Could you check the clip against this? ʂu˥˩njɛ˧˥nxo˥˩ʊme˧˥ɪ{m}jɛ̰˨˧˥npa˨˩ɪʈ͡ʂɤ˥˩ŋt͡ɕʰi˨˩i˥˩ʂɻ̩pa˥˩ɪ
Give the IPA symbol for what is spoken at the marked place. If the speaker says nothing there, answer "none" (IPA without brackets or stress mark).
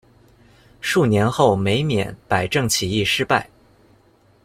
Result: m